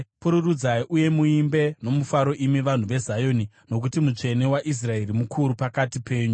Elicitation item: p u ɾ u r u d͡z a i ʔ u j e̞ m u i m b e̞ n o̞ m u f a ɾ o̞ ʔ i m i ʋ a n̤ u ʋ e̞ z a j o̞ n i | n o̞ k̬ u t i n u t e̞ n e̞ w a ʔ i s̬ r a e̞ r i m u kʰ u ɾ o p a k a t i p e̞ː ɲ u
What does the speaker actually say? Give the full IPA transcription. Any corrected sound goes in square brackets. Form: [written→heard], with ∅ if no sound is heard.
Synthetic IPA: p u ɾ u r u d͡z a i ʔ u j e̞ m u i m b e̞ n o̞ m u f a ɾ o̞ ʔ i m i ʋ a n̤ u ʋ e̞ z a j o̞ n i | n o̞ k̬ u t i [n→m] u [t→t͡ʂ] e̞ n e̞ w a ʔ i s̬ r a e̞ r i m u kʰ u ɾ [o→u] p a k a t i p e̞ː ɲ u

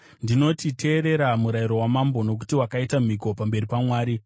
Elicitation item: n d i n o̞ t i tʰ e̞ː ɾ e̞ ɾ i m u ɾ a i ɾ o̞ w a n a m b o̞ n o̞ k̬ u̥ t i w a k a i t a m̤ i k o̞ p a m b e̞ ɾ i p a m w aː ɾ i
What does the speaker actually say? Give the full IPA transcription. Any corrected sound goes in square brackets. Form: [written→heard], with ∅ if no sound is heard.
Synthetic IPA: n d i n o̞ t i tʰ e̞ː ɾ e̞ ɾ [i→a] m u ɾ a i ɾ o̞ w a [n→m] a m b o̞ n o̞ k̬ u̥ t i w a k a i t a m̤ i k o̞ p a m b e̞ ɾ i p a m w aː ɾ i

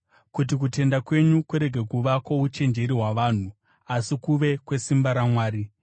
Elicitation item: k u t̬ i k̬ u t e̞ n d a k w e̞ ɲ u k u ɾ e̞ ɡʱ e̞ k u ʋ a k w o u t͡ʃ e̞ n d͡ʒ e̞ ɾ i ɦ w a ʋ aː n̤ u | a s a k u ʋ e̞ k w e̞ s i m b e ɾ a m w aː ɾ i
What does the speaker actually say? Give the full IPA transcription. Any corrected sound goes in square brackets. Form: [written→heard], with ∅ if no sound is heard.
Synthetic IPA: k u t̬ i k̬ u t e̞ n d a k w e̞ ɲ u k u ɾ e̞ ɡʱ e̞ k u ʋ a k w o u t͡ʃ e̞ n d͡ʒ e̞ ɾ i ɦ w a ʋ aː n̤ u | a s [a→i] k u ʋ e̞ k w e̞ s i m b [e→a] ɾ a m w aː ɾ i

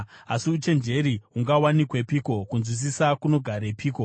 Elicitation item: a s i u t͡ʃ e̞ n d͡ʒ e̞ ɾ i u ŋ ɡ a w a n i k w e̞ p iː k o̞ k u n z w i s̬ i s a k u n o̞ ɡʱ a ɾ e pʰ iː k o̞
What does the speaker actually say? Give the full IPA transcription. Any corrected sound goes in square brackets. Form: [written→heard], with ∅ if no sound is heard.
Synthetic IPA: a s i u t͡ʃ e̞ n d͡ʒ e̞ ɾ i u ŋ ɡ a w a n i k w e̞ p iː k o̞ k u n z w i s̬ i s a k u n o̞ ɡʱ a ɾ e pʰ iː k o̞

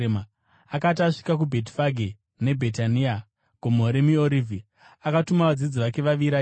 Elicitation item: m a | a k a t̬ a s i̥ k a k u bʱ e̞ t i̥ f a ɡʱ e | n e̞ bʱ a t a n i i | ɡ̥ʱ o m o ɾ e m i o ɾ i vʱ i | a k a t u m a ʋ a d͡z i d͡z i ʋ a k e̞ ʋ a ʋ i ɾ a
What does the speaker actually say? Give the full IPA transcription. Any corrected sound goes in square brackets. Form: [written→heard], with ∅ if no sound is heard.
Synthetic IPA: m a | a k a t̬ a [s→ʂ] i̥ k a k u bʱ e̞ t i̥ f a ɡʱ e | n e̞ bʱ [a→e] t a n i [i→a] | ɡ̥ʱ o m o ɾ e m i o ɾ i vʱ i | a k a t u m a ʋ a d͡z i d͡z i ʋ a k e̞ ʋ a ʋ i ɾ a

